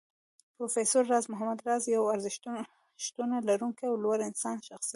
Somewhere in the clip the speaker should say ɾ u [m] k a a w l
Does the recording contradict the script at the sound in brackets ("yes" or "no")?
yes